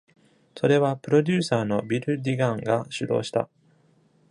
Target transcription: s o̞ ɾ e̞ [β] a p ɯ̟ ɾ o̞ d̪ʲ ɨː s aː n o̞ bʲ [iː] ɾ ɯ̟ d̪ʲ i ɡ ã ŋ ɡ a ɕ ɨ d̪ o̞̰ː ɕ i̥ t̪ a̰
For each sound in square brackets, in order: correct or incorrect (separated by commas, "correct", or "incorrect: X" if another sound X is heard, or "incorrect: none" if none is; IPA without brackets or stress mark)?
correct, incorrect: i